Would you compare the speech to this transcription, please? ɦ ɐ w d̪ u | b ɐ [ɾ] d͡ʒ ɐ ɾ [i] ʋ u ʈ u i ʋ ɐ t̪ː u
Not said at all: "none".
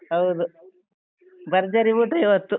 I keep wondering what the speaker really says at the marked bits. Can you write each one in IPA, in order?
ɾ, i

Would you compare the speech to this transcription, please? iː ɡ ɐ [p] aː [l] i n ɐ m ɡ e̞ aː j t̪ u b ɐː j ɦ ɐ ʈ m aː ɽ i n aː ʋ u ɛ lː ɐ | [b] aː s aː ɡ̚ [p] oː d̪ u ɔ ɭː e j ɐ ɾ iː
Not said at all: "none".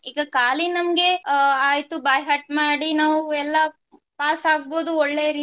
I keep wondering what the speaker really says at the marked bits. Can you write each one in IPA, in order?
k, l, p, b

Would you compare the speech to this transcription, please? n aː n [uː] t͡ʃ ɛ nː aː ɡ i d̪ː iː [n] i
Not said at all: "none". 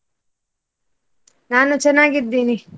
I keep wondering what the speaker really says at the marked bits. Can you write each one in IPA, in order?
u, n

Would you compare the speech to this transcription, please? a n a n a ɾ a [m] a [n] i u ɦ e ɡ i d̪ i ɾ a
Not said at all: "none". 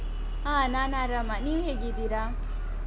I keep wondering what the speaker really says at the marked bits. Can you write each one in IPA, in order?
m, n

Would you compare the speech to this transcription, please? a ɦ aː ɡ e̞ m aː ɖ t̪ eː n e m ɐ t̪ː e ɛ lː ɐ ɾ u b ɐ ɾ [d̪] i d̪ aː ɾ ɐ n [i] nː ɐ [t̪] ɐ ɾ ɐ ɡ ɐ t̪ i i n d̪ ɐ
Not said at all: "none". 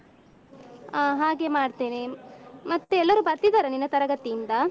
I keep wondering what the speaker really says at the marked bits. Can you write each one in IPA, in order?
t̪, i, t̪

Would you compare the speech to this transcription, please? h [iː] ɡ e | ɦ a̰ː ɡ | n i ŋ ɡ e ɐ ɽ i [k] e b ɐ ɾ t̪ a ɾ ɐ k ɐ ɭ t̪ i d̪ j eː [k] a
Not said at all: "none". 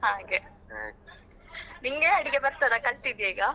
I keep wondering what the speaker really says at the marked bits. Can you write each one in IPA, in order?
aː, ɡ, ɡ

